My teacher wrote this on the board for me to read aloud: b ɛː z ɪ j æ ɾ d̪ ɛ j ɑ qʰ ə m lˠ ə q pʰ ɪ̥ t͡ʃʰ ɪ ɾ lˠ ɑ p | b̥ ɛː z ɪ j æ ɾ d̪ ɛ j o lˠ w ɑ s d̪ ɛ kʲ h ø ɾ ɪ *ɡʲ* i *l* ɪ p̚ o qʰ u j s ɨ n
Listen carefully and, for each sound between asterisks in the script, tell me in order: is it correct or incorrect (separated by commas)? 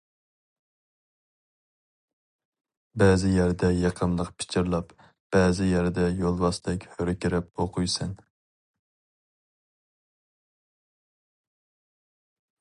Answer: incorrect, incorrect